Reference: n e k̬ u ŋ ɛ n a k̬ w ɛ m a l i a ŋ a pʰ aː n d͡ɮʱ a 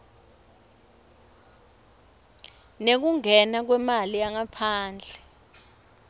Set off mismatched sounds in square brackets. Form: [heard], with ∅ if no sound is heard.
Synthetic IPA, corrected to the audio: n e k̬ u ŋ ɛ n a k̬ w ɛ m a l i a ŋ a pʰ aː n d͡ɮʱ [ɛ]